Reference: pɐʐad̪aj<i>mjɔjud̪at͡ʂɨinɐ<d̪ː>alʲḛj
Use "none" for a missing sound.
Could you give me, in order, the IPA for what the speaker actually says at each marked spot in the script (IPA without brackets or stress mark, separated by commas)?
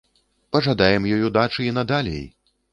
ɛ, d̪